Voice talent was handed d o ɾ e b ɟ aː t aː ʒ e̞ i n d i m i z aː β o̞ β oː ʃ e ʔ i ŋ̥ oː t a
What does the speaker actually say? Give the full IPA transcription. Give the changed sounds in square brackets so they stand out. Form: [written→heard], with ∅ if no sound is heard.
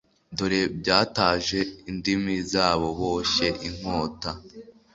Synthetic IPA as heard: d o ɾ e b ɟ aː t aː ʒ e̞ i n d i m i z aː β o̞ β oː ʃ e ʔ i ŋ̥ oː t a